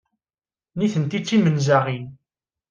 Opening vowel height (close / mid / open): close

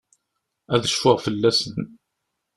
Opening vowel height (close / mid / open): open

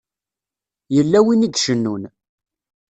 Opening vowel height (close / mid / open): mid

